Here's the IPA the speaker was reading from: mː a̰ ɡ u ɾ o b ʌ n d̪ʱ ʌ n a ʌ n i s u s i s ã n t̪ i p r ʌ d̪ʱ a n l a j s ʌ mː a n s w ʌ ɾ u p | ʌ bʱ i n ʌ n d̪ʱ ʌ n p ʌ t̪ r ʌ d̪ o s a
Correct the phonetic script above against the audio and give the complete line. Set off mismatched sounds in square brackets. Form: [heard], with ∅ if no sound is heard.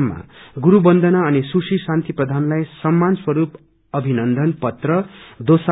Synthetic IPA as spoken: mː a̰ ɡ u ɾ [u] b ʌ n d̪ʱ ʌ n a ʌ n i s u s i s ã n t̪ i p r ʌ d̪ʱ a n l a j s ʌ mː a n s w ʌ ɾ u p | ʌ bʱ i n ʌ n d̪ʱ ʌ n p ʌ t̪ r ʌ d̪ o s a